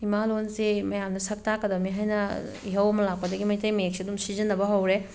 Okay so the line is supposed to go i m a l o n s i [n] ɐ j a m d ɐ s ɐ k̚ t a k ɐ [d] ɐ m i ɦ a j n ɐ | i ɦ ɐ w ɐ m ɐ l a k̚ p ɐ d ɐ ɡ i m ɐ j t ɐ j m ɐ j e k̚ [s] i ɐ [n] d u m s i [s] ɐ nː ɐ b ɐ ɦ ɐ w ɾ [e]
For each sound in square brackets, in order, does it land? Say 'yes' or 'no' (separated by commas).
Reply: no, yes, yes, no, no, yes